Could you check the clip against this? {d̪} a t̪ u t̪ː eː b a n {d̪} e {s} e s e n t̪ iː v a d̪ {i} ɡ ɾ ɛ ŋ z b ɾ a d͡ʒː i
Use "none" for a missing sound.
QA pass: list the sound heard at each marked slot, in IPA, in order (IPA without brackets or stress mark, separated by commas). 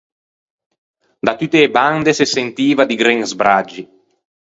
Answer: d̪, d̪, s, i